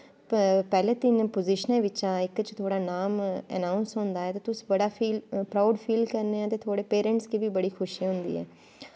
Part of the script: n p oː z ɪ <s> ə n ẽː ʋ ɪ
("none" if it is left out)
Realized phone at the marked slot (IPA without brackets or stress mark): ʃ